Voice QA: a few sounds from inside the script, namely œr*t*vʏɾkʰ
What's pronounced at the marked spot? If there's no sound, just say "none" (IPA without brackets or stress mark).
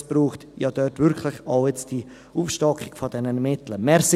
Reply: t